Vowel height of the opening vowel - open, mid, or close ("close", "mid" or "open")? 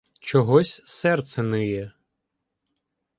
mid